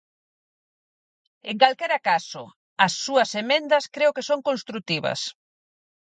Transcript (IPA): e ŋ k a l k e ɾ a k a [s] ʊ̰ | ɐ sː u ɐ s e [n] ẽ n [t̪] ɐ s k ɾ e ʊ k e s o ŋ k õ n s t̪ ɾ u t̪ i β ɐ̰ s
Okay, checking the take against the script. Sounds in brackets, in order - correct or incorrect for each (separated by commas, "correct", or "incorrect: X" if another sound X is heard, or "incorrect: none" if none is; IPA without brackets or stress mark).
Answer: correct, incorrect: m, incorrect: d̪